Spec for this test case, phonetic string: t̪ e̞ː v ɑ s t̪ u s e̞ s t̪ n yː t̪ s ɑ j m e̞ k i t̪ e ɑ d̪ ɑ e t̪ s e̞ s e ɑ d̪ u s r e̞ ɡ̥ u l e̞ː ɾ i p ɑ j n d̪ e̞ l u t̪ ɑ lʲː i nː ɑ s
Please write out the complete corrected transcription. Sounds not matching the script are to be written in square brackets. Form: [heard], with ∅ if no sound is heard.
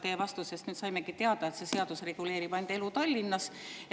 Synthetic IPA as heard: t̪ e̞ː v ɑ s t̪ u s e̞ s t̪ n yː t̪ s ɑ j m e̞ k i t̪ e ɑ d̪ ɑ e t̪ s e̞ s e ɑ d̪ u s r e̞ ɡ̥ u l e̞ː ɾ i p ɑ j n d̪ e̞ l u t̪ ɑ lʲː i nː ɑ s